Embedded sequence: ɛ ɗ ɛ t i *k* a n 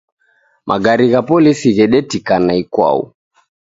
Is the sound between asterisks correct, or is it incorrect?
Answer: correct